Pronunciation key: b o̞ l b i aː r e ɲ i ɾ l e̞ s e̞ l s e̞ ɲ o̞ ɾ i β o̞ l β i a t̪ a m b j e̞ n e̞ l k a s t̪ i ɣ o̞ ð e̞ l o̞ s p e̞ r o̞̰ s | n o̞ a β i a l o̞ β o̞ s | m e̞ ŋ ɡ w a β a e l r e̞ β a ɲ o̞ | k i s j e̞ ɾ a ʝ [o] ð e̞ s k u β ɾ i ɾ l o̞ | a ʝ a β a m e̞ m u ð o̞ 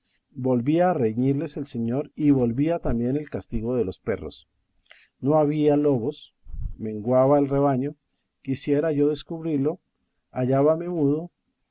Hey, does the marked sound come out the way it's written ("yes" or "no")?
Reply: yes